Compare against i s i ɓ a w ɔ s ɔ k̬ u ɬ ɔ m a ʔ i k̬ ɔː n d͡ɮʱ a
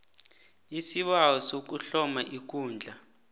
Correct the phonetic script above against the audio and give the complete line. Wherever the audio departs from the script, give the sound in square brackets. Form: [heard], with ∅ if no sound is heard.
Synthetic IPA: i s i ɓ a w ɔ s [o] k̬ u ɬ ɔ m a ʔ i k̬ [uː] n d͡ɮʱ a